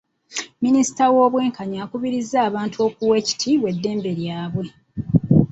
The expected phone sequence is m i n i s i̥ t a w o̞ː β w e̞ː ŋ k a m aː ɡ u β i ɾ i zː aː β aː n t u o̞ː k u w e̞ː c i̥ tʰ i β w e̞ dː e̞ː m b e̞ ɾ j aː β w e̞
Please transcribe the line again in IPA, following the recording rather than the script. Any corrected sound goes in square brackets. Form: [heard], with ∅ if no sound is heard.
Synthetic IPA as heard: m i n i s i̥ t a w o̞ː β w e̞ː ŋ k a [ɲ] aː [k] u β i ɾ i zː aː β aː n t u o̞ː k u w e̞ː c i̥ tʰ i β w e̞ dː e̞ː m b e̞ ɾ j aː β w e̞